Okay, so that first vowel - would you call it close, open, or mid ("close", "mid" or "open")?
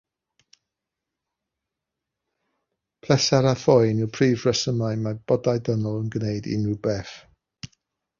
mid